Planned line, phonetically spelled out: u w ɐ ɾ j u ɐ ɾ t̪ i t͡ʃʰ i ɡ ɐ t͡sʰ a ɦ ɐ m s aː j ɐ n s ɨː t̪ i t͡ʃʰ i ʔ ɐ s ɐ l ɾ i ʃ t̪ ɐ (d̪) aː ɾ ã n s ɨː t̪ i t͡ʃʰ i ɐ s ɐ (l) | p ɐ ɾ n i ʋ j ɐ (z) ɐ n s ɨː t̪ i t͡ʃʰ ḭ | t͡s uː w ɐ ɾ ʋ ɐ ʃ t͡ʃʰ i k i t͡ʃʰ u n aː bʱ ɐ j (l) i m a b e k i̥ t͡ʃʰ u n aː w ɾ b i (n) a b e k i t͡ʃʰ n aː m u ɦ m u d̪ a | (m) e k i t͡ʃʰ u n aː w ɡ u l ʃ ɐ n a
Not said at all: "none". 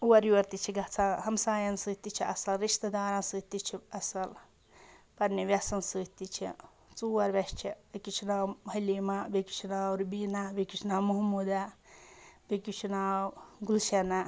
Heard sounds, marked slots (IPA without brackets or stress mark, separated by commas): d̪, l, s, l, n, b